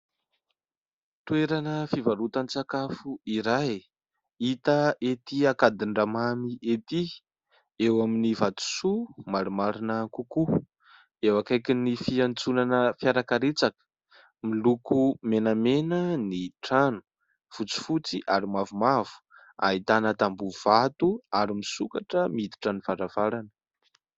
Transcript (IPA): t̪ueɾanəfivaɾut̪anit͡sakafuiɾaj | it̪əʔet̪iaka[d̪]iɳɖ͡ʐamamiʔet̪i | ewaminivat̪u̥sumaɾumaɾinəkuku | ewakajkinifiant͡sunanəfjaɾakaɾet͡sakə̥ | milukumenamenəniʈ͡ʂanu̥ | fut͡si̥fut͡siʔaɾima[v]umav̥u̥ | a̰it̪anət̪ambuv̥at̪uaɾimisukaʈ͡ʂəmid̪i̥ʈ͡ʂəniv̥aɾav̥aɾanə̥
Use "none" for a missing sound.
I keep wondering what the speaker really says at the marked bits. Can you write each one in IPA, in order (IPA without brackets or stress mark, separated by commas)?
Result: d̪, v